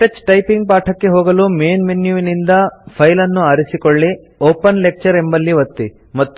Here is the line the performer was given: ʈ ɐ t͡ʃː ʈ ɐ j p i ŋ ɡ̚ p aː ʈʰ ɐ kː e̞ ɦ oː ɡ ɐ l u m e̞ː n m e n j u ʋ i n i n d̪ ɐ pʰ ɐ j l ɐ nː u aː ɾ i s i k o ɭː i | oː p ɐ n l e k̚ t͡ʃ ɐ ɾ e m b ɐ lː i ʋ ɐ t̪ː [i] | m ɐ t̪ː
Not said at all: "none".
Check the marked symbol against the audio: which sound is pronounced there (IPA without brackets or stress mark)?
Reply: i